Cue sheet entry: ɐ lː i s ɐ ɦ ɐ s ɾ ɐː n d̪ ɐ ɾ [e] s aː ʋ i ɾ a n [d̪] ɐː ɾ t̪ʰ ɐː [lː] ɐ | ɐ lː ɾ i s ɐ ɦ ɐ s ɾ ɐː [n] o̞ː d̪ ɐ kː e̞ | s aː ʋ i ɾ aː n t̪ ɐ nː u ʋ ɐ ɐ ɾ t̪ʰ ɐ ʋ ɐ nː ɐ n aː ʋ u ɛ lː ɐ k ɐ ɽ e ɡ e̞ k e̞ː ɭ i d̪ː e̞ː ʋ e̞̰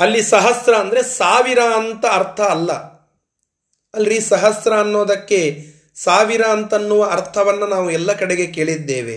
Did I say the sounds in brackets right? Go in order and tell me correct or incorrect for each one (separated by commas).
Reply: correct, incorrect, correct, incorrect